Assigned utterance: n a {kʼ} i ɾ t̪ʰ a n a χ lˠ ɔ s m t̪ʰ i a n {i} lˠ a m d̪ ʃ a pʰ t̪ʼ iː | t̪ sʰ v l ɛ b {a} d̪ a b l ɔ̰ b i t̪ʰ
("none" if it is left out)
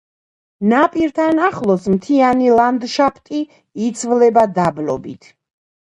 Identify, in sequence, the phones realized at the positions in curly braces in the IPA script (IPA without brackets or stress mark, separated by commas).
pʼ, i, a